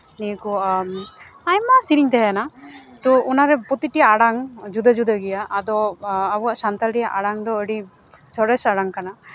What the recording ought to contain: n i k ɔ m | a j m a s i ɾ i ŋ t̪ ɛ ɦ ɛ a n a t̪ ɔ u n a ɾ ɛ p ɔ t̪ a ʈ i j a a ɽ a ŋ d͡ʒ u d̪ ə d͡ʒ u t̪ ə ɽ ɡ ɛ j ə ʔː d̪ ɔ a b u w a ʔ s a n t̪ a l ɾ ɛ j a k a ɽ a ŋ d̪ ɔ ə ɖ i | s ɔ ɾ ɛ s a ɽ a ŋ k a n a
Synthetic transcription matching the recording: n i k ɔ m | a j m a s i ɾ i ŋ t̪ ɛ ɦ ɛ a n a t̪ ɔ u n a ɾ ɛ p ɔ t̪ i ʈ i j a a ɽ a ŋ d͡ʒ u d̪ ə d͡ʒ u d̪ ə ɡ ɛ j a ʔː d̪ ɔ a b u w a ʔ s a n t̪ a l ɾ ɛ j a ʔ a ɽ a ŋ d̪ ɔ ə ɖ i | s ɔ ɾ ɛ s a ɽ a ŋ k a n a